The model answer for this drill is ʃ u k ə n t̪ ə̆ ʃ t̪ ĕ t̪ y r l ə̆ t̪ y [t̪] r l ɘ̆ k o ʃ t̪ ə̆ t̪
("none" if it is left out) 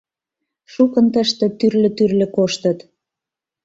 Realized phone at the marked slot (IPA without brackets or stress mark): none